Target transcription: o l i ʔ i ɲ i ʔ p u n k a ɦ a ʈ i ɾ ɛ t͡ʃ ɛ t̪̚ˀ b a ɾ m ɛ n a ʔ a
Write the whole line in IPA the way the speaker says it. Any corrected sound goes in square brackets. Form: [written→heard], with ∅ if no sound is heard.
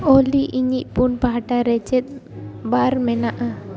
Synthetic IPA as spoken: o l i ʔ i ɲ i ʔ p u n [k→p] a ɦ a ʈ [i→a] ɾ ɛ t͡ʃ ɛ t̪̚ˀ b a ɾ m ɛ n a ʔ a